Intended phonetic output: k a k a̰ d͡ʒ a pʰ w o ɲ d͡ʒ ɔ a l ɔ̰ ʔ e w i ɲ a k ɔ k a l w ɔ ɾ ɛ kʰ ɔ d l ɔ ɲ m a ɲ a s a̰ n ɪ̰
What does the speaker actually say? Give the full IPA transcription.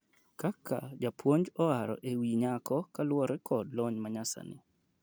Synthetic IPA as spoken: k a k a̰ d͡ʒ a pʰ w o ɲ d͡ʒ ɔ a ɾ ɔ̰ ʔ e w i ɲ a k ɔ k a l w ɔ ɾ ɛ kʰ ɔ d l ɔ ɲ m a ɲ a s a̰ n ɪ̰